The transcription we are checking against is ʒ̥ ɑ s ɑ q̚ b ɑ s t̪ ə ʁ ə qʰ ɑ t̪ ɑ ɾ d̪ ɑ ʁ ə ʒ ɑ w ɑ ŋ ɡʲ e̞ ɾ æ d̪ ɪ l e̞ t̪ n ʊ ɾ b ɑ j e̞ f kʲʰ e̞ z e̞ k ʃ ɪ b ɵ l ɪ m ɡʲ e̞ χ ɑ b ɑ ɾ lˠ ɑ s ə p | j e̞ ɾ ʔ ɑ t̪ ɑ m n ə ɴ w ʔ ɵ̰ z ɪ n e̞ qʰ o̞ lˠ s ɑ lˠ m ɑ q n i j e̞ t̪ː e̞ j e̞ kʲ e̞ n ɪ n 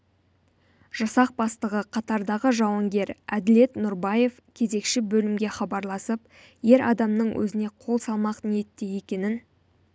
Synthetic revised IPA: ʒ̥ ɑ s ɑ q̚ b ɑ s t̪ ə ʁ ə qʰ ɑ t̪ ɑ ɾ d̪ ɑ ʁ ə ʒ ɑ w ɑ ŋ ɡʲ e̞ ɾ æ d̪ ɪ l e̞ t̪ n ʊ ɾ b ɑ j e̞ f kʲʰ e̞ z e̞ k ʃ ɪ b ɵ l ɪ m ɡʲ e̞ χ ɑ b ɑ ɾ lˠ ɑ s ə p | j e̞ ɾ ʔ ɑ d̪ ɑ m n ə ɴ w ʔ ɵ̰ z ɪ n e̞ qʰ o̞ lˠ s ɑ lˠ m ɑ q n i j e̞ t̪ː e̞ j e̞ kʲ e̞ n ɪ n